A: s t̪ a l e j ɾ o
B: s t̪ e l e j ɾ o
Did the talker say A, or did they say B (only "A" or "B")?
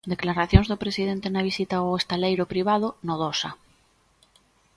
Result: A